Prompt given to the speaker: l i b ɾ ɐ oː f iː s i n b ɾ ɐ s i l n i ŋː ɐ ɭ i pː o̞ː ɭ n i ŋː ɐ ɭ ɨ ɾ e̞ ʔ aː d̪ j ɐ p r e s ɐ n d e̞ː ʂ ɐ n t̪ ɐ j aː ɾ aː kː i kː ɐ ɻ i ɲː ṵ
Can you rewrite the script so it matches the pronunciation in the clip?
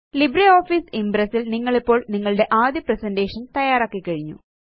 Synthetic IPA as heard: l i b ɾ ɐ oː f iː s i m b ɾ ɐ s i l n i ŋː ɐ ɭ i pː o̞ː ɭ n i ŋː ɐ ɭ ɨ ɽ e̞ ʔ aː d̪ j ɐ p r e s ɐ n d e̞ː ʂ ɐ n t̪ ɐ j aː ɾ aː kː i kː ɐ ɻ i ɲː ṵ